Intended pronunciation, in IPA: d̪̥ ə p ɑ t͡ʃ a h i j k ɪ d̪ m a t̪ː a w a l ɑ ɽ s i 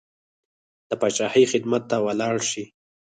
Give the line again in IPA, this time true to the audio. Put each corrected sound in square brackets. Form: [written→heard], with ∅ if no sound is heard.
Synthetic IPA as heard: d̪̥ ə p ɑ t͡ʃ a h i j [k→x] ɪ d̪ m a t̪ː a w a l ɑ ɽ [s→ʃ] i

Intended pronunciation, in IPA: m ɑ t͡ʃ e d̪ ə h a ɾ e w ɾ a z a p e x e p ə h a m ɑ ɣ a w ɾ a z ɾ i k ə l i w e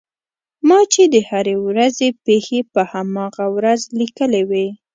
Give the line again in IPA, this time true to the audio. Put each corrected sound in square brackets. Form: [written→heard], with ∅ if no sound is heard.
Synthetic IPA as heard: m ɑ t͡ʃ e d̪ ə h a ɾ e w ɾ a z [a→e] p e x e p ə h a m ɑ ɣ a w ɾ a z [ɾ→l] i k ə l [i→e] w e

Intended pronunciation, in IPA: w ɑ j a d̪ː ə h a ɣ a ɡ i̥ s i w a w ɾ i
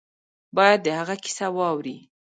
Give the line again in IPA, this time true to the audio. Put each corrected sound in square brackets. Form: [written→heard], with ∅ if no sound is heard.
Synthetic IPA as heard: [w→b] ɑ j a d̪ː ə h a ɣ a [ɡ→k] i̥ s [i→a] w [a→ɑ] w ɾ i

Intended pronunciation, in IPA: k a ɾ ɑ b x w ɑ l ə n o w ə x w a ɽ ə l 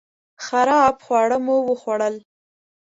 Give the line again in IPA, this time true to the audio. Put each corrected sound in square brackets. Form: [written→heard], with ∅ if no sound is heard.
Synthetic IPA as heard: [k→x] a ɾ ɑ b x w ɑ [l→ɽ] ə [n→m] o w ə x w a ɽ ə l

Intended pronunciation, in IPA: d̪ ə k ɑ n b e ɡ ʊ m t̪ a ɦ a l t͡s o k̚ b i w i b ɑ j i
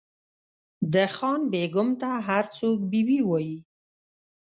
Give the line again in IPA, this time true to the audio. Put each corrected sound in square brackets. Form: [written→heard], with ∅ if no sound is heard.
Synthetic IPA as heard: d̪ ə [k→x] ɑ n b e ɡ ʊ m t̪ a ɦ a [l→ɾ] t͡s o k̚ b i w i [b→w] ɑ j i

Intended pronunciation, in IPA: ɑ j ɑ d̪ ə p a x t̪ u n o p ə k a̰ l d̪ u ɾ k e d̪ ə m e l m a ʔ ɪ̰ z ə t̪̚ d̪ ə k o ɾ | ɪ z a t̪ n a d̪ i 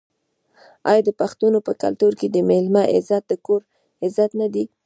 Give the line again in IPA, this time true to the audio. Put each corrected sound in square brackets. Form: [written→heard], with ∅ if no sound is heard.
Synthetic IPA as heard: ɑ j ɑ d̪ ə p a x t̪ u n o p ə k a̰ l [d̪→t̪] u ɾ k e d̪ ə m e l m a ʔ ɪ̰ z [ə→a] t̪̚ d̪ ə k o ɾ | ɪ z a t̪ n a d̪ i

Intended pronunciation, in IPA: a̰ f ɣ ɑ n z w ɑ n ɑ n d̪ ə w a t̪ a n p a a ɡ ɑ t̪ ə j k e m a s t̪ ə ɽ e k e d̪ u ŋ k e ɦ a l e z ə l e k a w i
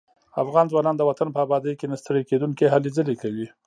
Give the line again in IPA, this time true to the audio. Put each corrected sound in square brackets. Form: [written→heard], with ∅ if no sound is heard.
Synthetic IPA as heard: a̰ f ɣ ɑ n z w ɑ n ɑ n d̪ ə w a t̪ a n p [a→ə] a [ɡ→b] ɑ [t̪→d̪] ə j k e [m→n] a s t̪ ə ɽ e k e d̪ u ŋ k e ɦ a l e z ə l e k a w i

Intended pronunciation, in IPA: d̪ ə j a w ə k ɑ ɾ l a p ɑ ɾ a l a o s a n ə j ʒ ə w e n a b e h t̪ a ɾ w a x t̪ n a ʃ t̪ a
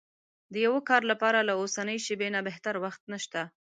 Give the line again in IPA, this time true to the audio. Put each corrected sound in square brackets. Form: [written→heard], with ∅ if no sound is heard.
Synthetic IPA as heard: d̪ ə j a w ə k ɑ ɾ l a p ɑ ɾ a l a o s a n ə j [ʒ→ʃ] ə [w→b] e n a b e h t̪ a ɾ w a x t̪ n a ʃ t̪ a

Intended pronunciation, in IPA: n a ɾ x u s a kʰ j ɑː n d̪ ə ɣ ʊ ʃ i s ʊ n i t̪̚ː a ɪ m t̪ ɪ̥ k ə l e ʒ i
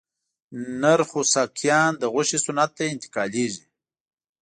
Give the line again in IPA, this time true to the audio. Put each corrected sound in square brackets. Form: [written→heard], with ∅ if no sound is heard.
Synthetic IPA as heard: n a ɾ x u s a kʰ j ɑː n d̪ ə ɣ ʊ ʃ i s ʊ n [i→a] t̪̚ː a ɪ [m→n] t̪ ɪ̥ k [ə→ɑ] l e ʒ i

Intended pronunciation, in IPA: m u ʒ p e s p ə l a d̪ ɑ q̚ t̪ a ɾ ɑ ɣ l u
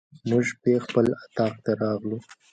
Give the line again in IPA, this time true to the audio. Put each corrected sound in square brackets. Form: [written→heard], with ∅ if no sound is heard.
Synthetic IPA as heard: m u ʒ p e [s→x] p ə l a [d̪→t̪] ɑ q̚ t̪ a ɾ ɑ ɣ l u

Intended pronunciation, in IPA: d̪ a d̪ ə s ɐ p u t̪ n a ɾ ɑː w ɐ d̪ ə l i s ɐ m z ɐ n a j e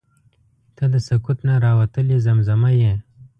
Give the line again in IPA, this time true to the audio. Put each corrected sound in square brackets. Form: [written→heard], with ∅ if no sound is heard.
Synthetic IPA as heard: [d̪→t̪] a d̪ ə s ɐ [p→k] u t̪ n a ɾ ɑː w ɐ [d̪→t̪] ə l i [s→z] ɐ m z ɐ [n→m] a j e

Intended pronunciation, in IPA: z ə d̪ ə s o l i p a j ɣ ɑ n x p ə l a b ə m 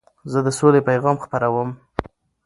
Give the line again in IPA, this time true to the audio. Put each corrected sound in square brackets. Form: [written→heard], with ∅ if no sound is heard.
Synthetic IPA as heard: z ə d̪ ə s o l [i→e] p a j ɣ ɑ [n→m] x p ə [l→ɾ] a [b→w] ə m

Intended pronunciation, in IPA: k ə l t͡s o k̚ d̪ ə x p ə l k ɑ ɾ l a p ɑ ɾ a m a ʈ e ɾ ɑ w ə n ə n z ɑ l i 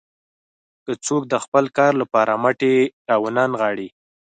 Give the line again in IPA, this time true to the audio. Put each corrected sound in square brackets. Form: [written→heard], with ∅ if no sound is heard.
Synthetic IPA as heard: k ə [l→∅] t͡s o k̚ d̪ ə x p ə l k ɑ ɾ l a p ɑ ɾ a m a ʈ e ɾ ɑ w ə n [ə→ɑ] n [z→ɣ] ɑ [l→ɽ] i

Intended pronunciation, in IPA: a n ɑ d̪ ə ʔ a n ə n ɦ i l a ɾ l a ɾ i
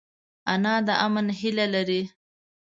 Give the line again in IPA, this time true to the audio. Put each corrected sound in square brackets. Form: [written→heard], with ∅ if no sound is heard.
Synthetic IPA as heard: a n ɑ d̪ ə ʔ a [n→m] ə n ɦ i l a [ɾ→∅] l a ɾ i

